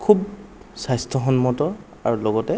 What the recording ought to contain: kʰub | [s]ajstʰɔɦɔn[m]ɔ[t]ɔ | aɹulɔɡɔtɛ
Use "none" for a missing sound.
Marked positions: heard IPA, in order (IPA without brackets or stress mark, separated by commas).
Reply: s, m, t